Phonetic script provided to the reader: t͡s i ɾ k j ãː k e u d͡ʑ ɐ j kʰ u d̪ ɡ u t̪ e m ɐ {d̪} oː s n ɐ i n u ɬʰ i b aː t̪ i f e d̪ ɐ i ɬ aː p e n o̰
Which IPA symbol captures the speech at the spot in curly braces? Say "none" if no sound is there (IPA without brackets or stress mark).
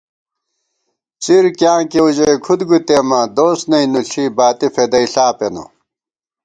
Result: d̪